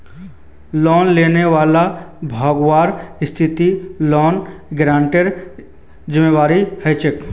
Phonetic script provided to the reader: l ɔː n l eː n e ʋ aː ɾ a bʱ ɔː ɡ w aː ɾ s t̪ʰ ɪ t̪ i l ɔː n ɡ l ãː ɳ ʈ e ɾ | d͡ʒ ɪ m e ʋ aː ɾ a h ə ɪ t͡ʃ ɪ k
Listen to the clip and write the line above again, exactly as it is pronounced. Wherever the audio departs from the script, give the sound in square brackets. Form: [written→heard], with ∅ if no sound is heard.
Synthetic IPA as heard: l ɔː n l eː n e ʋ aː [ɾ→l] a bʱ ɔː ɡ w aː ɾ s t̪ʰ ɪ t̪ i l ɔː n ɡ [l→ɾ] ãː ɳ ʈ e ɾ | d͡ʒ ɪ m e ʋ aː ɾ [a→i] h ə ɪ t͡ʃ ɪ k